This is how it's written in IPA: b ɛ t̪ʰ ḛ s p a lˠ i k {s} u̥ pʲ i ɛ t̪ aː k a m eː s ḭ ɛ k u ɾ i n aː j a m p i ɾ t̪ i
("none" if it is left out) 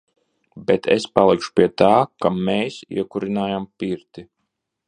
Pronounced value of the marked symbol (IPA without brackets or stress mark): ʃ